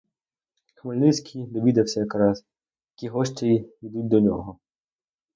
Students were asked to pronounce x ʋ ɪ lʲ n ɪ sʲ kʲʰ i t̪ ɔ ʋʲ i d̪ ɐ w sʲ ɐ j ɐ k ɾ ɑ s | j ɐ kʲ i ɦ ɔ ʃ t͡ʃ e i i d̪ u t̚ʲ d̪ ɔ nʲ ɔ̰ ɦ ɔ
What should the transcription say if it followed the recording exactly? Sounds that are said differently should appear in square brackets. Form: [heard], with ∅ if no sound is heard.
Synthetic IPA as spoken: x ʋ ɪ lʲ n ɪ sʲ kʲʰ i [d̪] ɔ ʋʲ i d̪ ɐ w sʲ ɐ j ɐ k ɾ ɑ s | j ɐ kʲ i ɦ ɔ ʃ t͡ʃ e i i d̪ u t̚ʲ d̪ ɔ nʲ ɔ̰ ɦ ɔ